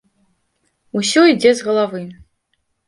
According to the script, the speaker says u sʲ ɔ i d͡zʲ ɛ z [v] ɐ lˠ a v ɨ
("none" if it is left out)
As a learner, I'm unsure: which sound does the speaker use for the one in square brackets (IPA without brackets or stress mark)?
ɣ